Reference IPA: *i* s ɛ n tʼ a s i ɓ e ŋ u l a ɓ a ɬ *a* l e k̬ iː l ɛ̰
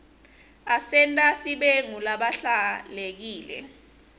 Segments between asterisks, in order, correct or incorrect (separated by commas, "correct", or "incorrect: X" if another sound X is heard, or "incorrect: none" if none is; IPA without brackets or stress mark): incorrect: a, correct